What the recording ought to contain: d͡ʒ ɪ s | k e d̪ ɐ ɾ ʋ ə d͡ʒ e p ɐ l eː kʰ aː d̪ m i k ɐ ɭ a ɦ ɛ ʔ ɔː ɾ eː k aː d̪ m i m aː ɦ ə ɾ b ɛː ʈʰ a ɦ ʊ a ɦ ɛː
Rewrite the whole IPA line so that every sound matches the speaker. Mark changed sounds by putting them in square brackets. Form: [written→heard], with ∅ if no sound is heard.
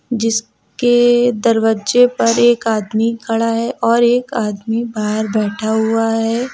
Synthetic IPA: d͡ʒ ɪ s | k e d̪ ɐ ɾ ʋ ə d͡ʒ e p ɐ [l→ɾ] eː [kʰ→k] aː d̪ m i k ɐ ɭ a ɦ ɛ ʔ ɔː ɾ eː k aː d̪ m i [m→b] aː ɦ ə ɾ b ɛː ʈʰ a ɦ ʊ a ɦ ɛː